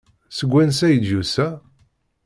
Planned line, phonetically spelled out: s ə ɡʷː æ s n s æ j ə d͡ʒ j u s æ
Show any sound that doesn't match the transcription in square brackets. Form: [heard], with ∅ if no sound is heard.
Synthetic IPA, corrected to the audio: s ə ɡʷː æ [∅] n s æ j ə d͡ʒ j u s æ